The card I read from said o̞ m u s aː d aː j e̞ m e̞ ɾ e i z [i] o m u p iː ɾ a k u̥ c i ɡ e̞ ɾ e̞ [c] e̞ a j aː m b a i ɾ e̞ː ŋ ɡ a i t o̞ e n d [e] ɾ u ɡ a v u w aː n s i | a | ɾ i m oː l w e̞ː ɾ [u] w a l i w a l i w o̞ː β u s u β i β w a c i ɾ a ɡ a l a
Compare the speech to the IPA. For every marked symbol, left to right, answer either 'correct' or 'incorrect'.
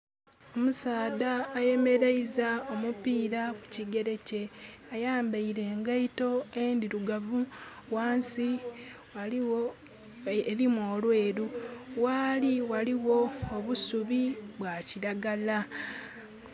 incorrect, correct, incorrect, correct

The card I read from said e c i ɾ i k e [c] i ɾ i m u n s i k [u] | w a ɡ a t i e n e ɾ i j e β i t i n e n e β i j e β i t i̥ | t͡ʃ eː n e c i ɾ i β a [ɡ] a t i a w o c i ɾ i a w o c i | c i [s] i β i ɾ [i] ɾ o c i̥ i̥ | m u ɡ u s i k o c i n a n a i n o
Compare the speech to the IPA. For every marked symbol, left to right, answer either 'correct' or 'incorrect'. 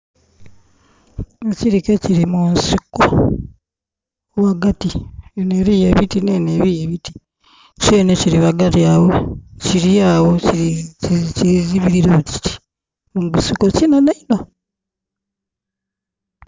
correct, incorrect, correct, incorrect, correct

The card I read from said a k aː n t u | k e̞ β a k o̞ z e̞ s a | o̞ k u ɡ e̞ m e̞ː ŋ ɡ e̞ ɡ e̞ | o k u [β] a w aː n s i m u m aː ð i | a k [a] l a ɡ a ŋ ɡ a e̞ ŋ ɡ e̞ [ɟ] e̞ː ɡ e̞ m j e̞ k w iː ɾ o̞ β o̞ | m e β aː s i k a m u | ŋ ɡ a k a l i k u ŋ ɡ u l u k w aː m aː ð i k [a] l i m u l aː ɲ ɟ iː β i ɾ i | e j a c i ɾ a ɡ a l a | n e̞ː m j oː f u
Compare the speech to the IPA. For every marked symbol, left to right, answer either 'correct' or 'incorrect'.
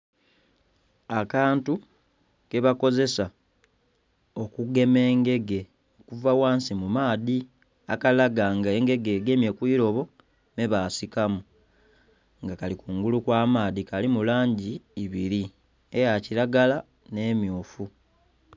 incorrect, correct, incorrect, correct

